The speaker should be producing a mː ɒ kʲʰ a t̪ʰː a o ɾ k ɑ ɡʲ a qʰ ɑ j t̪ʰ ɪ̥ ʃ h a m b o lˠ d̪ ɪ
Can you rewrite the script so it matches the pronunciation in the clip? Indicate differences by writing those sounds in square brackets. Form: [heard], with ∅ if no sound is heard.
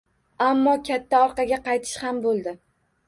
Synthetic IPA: a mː ɒ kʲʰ a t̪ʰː a [ɒ] ɾ [q] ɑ ɡʲ a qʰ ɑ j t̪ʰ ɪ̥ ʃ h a m b o lˠ d̪ ɪ